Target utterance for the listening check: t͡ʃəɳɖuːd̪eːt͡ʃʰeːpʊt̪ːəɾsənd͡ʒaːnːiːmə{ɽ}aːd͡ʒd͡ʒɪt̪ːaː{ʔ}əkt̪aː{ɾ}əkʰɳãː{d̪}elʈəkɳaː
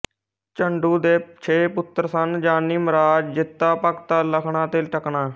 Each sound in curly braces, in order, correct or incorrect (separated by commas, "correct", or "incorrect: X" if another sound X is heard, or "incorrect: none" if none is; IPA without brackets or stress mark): incorrect: ɾ, incorrect: p, incorrect: l, incorrect: t̪